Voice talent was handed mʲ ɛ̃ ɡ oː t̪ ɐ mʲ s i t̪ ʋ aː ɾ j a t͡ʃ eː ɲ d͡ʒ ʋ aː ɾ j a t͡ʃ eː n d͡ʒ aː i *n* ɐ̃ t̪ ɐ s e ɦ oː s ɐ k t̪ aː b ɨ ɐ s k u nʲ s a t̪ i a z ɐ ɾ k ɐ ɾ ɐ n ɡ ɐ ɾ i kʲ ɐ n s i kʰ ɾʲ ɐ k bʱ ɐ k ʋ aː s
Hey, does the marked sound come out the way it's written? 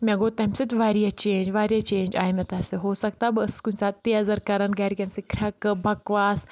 no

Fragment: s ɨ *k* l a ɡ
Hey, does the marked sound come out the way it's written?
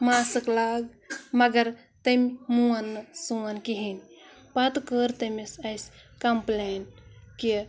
yes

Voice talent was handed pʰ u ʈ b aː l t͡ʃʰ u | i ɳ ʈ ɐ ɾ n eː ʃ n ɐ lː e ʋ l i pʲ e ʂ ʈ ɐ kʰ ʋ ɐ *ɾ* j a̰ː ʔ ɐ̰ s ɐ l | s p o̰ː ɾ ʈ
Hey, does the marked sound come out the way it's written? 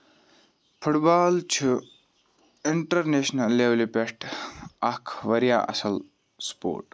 yes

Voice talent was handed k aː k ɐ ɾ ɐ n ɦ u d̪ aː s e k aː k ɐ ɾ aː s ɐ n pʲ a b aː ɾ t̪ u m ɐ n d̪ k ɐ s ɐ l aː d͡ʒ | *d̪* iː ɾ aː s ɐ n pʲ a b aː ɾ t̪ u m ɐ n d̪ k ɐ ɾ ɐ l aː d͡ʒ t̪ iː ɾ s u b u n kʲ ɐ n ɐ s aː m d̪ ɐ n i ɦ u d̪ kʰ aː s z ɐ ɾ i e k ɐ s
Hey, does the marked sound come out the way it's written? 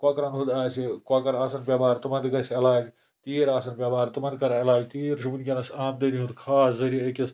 no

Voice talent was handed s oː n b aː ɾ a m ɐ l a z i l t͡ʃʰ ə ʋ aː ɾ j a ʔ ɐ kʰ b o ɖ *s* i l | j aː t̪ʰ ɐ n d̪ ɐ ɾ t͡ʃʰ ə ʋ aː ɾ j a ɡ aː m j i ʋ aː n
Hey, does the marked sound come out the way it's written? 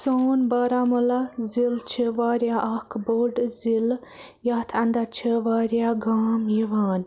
no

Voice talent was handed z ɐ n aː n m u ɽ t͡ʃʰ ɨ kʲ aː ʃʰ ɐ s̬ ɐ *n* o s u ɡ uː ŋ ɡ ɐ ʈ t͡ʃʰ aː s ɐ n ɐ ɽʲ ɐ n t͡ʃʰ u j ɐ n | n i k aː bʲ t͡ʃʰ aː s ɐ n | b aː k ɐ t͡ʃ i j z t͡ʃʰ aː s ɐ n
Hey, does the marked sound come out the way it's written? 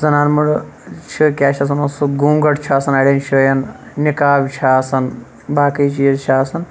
yes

